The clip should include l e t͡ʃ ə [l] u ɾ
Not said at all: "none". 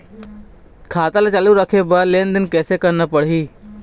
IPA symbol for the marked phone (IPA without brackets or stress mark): l